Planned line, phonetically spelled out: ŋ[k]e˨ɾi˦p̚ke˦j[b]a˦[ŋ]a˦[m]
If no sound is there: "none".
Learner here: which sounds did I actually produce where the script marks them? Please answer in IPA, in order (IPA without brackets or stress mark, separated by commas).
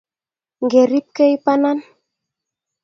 ɡ, p, n, n